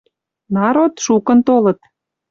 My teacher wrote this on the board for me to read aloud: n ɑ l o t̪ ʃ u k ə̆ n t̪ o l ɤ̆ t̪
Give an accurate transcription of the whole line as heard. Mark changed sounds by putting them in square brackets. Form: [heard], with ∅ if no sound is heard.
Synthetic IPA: n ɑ [ɾ] o t̪ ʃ u k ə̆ n t̪ o l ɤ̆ t̪